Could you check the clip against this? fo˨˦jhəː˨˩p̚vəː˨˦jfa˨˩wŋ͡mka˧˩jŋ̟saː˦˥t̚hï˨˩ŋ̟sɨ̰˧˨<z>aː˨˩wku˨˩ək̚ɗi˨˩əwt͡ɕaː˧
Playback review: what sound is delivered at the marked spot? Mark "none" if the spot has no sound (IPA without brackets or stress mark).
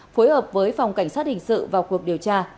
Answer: v